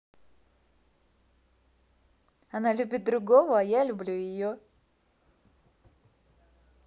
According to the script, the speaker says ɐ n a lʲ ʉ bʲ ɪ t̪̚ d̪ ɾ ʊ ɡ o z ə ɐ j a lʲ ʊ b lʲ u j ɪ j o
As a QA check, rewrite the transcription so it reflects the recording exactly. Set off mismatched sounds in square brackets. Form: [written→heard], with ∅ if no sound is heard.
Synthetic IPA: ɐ n a lʲ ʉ bʲ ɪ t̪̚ d̪ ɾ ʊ ɡ o [z→v] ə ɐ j a lʲ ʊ b lʲ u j ɪ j o